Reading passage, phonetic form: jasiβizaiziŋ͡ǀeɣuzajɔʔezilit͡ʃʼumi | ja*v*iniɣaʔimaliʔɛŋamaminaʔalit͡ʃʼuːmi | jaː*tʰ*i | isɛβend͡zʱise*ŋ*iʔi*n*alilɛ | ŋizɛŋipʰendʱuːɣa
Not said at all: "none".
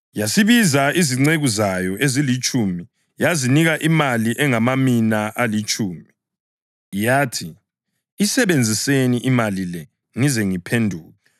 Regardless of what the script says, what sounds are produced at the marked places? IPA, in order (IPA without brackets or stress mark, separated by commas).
z, tʰ, n, m